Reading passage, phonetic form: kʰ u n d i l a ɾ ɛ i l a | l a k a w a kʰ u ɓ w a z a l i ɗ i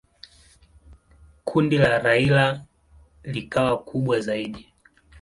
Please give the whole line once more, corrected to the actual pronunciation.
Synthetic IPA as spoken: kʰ u n d i l a ɾ a i l a | l i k a w a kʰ u ɓ w a z a i ɗ i